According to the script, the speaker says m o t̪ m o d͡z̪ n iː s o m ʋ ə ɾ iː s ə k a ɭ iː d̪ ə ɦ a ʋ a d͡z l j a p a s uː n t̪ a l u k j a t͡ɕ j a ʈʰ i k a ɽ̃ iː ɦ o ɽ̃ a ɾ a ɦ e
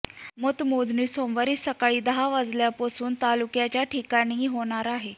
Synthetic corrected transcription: m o t̪ m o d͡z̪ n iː s o m ʋ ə ɾ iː s ə k a ɭ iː d̪ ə ɦ a ʋ a d͡z l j a p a s uː n t̪ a l u k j a t͡ɕ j a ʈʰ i k a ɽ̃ iː ɦ o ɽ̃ a ɾ a ɦ e